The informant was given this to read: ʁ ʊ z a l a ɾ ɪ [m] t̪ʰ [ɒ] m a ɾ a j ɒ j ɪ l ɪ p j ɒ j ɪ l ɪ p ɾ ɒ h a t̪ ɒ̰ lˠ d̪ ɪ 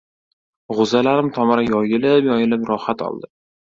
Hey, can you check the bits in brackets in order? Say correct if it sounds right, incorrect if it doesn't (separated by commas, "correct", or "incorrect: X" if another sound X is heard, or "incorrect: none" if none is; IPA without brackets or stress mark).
correct, correct